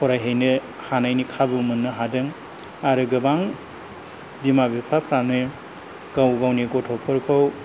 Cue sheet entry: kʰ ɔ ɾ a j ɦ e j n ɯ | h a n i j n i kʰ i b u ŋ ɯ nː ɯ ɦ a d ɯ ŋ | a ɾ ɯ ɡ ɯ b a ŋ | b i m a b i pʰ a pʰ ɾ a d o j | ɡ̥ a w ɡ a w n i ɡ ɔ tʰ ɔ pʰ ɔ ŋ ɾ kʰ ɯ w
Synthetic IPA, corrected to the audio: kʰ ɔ ɾ a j ɦ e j n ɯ | h a n a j n i kʰ a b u m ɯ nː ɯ ɦ a d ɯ ŋ | a ɾ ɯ ɡ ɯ b a ŋ | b i m a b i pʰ a pʰ ɾ a n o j | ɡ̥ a w ɡ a w n i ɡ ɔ tʰ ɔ pʰ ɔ ɾ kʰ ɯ w

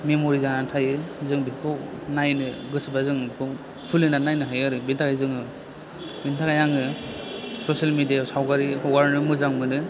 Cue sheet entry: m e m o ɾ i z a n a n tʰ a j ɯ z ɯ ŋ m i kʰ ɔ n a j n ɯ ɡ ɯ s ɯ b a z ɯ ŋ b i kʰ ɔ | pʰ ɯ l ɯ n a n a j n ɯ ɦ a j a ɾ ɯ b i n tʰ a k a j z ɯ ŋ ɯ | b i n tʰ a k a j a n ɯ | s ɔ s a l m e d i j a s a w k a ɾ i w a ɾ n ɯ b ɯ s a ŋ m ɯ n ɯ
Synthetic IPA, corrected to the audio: m e m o ɾ i z a n a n tʰ a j ɯ z ɯ ŋ b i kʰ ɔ n a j n ɯ ɡ ɯ s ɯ b a z ɯ ŋ b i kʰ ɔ | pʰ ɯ l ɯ n a n a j n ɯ ɦ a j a ɾ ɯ b i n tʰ a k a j z ɯ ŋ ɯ | b i n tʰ a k a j a ŋ ɯ | s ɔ s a l m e d i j a s a w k a ɾ i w a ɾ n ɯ m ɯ z a ŋ m ɯ n ɯ

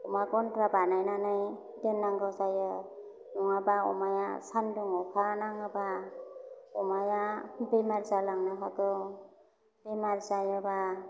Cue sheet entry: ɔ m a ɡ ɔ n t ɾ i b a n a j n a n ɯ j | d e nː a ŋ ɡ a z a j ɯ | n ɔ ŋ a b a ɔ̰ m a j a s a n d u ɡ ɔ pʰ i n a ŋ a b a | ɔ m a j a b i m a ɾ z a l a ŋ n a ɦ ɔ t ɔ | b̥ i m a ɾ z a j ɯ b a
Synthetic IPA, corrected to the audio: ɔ m a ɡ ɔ n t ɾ a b a n a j n a n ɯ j | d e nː a ŋ ɡ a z a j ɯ | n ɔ ŋ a b a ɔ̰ m a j a s a n d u ŋ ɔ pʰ a n a ŋ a b a | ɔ m a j a b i m a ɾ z a l a ŋ n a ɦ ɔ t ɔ | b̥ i m a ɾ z a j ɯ b a

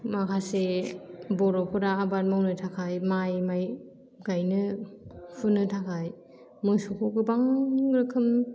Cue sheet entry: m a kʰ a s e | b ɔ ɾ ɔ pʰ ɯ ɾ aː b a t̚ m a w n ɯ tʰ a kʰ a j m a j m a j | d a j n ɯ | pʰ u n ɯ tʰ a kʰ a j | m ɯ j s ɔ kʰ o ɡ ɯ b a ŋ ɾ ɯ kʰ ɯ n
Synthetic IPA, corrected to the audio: m a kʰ a s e | b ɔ ɾ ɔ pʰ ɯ ɾ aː b a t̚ m a w n ɯ tʰ a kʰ a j m a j m a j | ɡ a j n ɯ | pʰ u n ɯ tʰ a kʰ a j | m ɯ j s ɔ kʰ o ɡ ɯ b a ŋ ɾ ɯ kʰ ɯ m

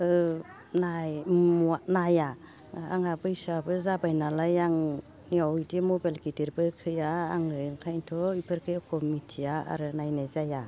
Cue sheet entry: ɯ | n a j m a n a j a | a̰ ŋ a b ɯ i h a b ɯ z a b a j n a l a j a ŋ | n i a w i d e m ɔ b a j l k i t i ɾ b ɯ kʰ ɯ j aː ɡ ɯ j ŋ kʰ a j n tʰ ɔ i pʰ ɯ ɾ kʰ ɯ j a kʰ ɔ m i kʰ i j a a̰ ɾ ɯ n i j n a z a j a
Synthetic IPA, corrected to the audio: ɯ | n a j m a n a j a | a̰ ŋ a b ɯ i s a b ɯ z a b a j n a l a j a ŋ | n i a w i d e m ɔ b a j l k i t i ɾ b ɯ kʰ ɯ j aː ŋ ɯ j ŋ kʰ a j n tʰ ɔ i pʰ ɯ ɾ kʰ ɯ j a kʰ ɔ m i tʰ i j a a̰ ɾ ɯ n a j n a z a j a

